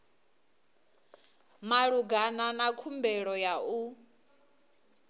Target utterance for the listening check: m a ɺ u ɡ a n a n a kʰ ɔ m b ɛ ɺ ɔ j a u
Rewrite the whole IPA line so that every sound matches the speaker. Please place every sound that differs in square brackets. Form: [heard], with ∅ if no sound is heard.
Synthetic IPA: m a ɺ u ɡ a n a n a kʰ [u] m b ɛ ɺ ɔ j a u